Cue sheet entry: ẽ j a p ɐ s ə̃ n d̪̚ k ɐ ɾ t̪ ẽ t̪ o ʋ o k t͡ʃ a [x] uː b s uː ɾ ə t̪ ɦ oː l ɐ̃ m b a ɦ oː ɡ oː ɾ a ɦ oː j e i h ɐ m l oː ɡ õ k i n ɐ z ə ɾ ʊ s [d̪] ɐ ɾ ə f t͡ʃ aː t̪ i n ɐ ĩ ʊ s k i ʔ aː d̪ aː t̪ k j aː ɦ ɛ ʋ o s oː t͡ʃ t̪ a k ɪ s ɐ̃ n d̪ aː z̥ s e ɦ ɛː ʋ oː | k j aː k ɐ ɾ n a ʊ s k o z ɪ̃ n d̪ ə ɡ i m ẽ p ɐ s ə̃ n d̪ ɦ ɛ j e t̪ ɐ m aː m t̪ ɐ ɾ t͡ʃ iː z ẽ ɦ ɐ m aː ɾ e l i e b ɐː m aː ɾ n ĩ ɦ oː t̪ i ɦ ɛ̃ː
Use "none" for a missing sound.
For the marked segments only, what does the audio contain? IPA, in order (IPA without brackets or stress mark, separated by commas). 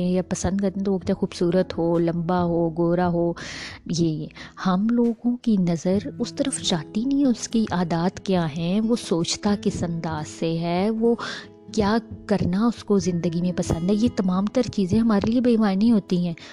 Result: x, t̪